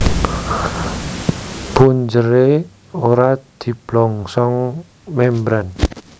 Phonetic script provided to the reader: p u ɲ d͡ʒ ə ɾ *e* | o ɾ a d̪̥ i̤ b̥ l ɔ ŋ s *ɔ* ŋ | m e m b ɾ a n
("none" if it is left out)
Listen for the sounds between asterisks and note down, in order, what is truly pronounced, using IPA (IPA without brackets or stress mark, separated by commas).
e, ɔ